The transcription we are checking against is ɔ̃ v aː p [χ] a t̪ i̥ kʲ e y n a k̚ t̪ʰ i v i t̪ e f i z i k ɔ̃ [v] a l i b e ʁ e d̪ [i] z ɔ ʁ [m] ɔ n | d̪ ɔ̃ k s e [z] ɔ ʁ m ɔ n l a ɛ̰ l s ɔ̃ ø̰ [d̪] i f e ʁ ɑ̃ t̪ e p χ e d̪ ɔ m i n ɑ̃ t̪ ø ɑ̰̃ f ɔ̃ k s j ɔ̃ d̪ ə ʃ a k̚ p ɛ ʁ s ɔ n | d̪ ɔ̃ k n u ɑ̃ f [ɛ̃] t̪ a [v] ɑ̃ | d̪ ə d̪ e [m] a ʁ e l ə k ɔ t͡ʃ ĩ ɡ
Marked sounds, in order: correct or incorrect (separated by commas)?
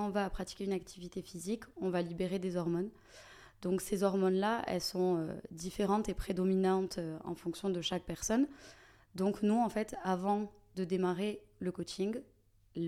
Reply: correct, correct, incorrect, correct, correct, correct, incorrect, correct, correct